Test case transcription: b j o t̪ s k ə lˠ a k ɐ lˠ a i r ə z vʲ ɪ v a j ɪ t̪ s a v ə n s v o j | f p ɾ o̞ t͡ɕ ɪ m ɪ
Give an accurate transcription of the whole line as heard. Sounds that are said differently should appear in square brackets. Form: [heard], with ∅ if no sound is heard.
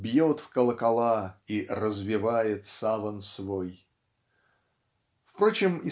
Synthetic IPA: b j o t̪ [f] k ə lˠ [ə] k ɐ lˠ a i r ə z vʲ ɪ v a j ɪ t̪ s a v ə n s v o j | f p ɾ o̞ t͡ɕ ɪ m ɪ